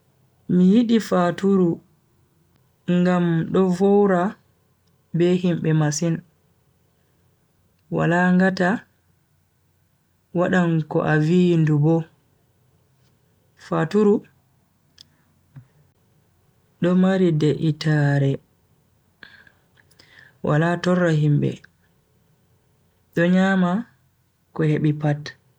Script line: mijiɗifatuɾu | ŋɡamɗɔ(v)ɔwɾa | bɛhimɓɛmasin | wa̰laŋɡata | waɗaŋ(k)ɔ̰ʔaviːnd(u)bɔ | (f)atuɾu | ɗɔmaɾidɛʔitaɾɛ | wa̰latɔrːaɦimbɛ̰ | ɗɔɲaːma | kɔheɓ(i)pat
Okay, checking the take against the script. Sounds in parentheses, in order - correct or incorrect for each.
correct, correct, correct, correct, correct

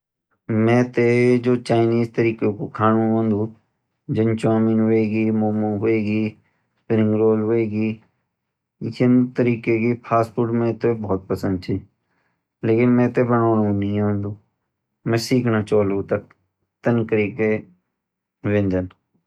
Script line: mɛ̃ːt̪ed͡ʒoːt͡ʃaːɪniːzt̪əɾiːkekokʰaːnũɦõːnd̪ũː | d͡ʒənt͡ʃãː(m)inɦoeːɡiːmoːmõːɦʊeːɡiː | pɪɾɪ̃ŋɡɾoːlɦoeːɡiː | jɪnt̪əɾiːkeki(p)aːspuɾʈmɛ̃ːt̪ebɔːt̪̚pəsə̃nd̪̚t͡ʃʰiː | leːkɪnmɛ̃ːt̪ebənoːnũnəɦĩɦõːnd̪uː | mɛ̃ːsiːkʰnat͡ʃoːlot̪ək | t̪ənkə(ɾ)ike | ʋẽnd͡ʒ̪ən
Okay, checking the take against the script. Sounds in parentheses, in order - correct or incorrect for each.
correct, incorrect, correct

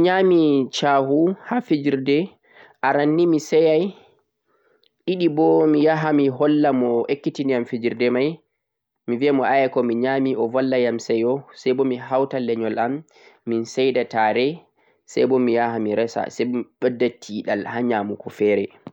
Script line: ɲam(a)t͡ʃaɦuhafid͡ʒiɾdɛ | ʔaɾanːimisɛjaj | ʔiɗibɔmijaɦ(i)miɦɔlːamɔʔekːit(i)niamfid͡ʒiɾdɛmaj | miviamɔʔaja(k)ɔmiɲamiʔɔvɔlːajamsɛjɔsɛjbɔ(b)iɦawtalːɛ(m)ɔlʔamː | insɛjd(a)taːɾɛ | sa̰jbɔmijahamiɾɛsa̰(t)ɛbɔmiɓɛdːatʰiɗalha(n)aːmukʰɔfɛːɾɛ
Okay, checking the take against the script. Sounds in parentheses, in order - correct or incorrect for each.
incorrect, incorrect, correct, correct, incorrect, incorrect, correct, incorrect, incorrect

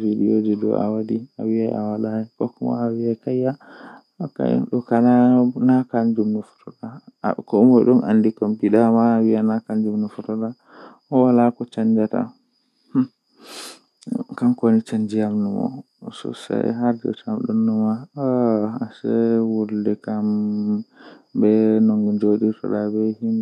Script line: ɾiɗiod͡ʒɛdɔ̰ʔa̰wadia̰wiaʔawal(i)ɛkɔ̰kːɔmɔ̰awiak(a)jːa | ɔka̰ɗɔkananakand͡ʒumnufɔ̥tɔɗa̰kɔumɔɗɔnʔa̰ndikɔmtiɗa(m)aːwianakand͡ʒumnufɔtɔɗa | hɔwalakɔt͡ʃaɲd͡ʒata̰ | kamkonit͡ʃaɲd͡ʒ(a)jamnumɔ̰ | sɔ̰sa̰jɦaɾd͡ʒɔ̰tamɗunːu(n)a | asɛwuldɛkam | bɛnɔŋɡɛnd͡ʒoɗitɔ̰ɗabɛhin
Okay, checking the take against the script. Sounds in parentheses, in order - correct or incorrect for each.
incorrect, correct, correct, incorrect, incorrect

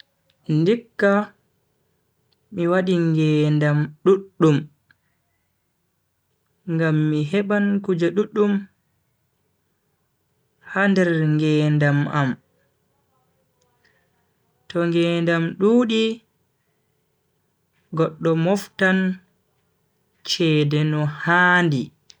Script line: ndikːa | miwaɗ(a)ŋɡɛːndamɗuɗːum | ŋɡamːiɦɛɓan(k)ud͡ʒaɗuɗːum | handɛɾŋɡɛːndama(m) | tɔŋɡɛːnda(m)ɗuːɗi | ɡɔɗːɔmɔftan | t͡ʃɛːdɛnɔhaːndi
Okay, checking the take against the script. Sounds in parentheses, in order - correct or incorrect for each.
incorrect, correct, correct, correct

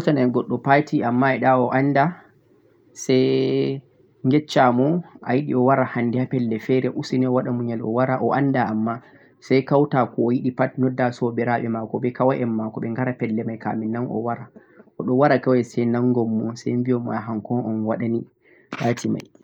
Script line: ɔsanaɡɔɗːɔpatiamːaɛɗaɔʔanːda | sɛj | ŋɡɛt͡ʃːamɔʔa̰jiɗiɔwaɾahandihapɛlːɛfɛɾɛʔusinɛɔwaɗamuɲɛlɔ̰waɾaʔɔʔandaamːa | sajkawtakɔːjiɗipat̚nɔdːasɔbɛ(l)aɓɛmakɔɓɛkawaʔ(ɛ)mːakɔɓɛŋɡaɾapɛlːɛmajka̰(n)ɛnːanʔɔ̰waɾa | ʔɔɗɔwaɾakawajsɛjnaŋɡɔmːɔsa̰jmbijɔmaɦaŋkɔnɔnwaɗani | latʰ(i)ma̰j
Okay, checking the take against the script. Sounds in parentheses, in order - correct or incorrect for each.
incorrect, correct, incorrect, correct

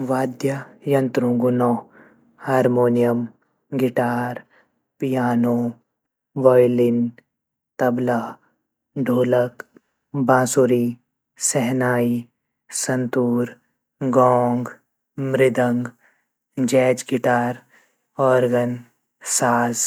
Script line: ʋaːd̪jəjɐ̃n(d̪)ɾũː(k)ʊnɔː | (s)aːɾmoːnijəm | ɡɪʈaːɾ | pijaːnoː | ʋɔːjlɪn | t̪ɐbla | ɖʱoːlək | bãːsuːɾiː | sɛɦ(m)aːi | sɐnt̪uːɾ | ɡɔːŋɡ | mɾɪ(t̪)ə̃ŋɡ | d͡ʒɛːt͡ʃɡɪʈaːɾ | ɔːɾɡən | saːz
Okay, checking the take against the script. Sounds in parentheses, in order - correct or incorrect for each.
incorrect, incorrect, incorrect, incorrect, incorrect

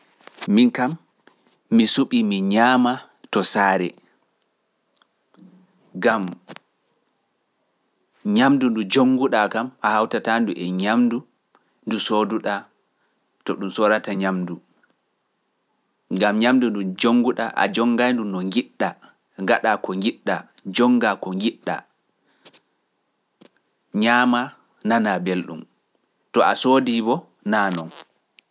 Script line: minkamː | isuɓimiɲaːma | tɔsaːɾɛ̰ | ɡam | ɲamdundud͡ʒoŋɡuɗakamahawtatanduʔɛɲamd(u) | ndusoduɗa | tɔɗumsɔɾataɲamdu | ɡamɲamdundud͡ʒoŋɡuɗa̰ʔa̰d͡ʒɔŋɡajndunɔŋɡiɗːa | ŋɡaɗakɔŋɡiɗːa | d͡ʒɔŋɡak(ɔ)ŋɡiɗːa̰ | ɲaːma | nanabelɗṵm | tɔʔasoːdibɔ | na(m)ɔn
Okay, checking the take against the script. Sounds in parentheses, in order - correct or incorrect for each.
correct, correct, incorrect

